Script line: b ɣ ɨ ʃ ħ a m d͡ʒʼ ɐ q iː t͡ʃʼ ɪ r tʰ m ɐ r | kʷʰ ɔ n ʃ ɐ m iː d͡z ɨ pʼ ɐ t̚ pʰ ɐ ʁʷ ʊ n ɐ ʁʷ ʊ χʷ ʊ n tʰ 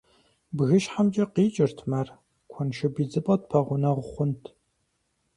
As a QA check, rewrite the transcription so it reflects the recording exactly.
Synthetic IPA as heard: b ɣ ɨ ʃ ħ a m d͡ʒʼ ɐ q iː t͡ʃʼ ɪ r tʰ m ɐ r | kʷʰ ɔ n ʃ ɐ b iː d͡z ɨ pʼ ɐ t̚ pʰ ɐ ʁʷ ʊ n ɐ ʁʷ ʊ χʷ ʊ n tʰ